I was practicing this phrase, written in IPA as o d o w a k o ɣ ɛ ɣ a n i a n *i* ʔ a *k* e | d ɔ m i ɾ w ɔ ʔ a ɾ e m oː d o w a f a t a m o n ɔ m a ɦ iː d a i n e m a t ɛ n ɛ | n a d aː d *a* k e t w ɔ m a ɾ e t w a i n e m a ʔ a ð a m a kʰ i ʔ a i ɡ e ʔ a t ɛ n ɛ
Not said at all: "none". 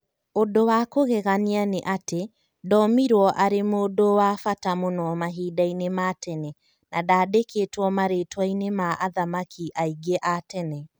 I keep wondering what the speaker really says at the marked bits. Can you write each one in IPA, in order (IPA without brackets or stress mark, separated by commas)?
e, t, e